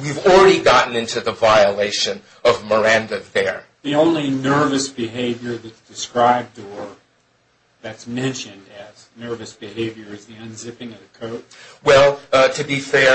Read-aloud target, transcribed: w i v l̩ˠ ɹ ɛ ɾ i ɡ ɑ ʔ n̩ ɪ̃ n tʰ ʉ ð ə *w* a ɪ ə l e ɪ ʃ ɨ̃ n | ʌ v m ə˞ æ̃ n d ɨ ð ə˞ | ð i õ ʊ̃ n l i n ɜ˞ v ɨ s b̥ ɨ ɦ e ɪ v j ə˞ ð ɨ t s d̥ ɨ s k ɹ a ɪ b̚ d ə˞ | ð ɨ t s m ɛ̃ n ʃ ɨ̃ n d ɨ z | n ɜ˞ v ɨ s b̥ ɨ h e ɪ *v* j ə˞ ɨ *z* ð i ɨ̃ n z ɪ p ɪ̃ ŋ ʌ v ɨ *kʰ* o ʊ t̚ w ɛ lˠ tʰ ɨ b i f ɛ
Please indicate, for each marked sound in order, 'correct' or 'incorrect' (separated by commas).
incorrect, correct, correct, correct